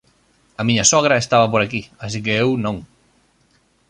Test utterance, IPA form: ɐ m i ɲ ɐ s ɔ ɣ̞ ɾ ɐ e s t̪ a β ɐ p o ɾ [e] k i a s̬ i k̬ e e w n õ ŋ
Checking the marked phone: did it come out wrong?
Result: yes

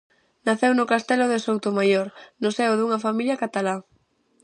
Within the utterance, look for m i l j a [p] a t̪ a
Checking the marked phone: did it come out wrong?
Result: yes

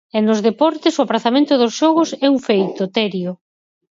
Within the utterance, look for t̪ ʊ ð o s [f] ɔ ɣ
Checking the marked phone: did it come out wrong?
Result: yes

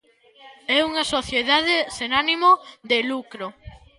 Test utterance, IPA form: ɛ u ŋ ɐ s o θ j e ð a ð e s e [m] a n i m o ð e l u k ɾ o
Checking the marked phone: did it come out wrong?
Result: yes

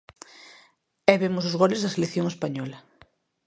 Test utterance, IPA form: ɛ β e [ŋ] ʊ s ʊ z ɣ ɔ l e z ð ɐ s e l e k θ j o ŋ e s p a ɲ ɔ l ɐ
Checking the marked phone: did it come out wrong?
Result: yes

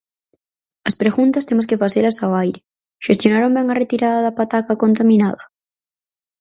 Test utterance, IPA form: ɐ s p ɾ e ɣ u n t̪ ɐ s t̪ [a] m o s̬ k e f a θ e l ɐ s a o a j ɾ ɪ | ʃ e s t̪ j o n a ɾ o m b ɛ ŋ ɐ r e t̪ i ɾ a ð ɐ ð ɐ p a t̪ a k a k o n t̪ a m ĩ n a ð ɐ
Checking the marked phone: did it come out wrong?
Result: yes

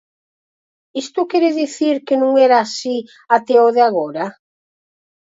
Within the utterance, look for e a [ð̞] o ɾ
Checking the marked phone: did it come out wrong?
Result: yes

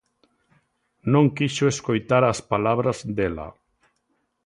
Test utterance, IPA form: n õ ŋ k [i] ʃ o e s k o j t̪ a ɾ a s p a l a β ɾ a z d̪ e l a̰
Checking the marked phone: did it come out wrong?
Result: no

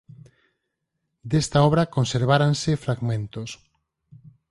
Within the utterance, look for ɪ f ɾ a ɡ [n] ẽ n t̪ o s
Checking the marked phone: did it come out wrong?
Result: yes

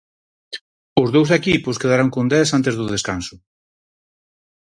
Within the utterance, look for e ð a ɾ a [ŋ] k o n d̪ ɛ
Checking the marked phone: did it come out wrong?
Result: no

